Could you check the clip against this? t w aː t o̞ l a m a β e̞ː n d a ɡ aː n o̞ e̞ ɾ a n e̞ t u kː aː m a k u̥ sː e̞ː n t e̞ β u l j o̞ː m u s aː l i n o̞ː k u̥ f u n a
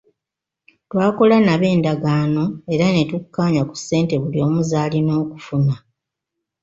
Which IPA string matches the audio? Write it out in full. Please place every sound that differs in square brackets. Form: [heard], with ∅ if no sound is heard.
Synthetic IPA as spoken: t w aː [k] o̞ l a [n] a β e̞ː n d a ɡ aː n o̞ e̞ ɾ a n e̞ t u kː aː [ɲ] a k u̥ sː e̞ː n t e̞ β u l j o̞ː m u [z] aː l i n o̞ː k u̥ f u n a